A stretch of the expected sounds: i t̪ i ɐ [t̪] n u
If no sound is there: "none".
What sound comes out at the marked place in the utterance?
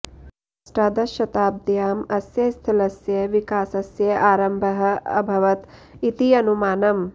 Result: none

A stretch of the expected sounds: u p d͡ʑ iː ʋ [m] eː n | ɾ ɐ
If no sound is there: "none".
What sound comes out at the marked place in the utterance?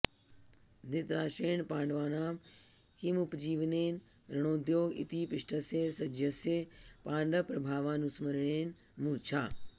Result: n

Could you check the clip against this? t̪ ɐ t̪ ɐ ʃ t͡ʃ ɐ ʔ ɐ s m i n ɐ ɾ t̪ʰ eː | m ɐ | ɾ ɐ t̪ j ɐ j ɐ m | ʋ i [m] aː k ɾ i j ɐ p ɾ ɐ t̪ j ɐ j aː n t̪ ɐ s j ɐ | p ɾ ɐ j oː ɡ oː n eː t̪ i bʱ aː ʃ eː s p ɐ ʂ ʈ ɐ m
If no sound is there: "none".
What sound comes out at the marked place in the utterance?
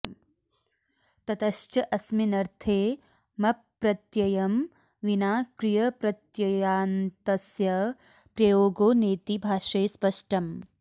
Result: n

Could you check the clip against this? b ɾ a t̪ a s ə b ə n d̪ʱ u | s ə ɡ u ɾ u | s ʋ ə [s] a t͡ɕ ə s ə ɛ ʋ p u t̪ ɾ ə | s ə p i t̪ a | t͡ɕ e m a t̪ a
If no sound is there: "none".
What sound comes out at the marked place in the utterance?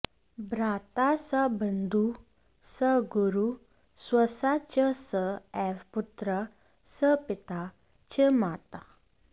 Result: s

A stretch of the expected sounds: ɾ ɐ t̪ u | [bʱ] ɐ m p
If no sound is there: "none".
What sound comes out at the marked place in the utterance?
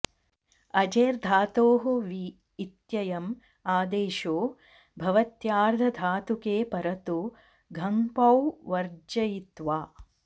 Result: ɡʱ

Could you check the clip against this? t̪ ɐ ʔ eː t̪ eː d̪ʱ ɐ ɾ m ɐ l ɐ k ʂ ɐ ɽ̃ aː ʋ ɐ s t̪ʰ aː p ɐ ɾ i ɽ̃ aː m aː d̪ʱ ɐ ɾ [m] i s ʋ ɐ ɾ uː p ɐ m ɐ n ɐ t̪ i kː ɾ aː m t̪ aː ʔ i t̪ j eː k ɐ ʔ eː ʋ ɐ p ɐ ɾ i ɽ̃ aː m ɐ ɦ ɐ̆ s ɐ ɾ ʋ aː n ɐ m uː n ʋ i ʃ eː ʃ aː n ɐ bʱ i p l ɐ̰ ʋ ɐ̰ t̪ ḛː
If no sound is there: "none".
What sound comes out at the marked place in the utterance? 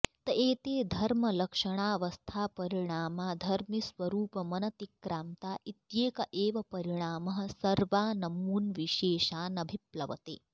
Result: m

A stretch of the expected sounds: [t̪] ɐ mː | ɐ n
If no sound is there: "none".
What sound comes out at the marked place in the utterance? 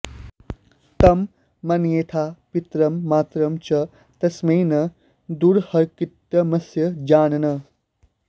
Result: t̪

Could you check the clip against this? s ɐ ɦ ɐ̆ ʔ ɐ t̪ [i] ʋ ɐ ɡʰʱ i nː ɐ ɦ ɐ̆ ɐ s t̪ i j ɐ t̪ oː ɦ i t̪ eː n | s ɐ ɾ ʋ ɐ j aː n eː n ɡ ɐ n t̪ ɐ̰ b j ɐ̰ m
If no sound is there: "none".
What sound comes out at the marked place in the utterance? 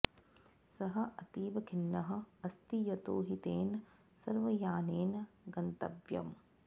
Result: iː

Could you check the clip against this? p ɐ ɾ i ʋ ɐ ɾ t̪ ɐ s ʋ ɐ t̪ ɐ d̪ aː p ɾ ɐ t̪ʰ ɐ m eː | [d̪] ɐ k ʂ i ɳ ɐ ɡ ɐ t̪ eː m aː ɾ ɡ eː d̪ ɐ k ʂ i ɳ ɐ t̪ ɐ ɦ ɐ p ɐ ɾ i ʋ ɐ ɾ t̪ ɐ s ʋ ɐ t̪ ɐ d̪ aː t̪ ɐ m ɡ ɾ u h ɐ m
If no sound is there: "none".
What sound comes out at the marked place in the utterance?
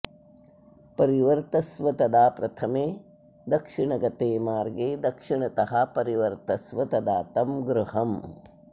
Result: d̪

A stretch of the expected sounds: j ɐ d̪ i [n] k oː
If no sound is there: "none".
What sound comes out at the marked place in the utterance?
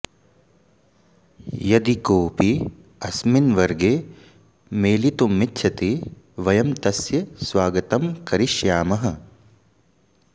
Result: none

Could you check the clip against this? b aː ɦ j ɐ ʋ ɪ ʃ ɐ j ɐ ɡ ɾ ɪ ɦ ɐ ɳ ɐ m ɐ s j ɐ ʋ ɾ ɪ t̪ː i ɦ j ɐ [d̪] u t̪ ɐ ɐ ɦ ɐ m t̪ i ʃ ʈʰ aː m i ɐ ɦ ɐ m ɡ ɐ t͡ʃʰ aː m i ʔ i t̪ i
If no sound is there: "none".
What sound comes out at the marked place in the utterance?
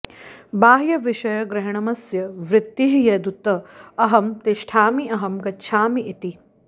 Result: d̪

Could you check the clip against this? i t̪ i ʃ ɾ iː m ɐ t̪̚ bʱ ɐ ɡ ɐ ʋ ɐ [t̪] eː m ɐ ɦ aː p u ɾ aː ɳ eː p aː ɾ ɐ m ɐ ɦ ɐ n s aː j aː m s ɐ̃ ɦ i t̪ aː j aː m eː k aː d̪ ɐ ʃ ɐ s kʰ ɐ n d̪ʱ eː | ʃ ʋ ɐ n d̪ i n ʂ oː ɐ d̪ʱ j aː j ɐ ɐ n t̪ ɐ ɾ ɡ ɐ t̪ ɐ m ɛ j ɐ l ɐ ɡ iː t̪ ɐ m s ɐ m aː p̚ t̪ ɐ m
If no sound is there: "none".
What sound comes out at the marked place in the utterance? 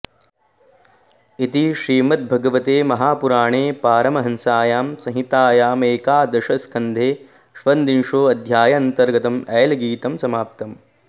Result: t̪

